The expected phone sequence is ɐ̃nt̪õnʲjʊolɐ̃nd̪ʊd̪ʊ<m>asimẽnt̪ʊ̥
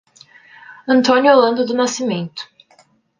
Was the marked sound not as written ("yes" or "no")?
yes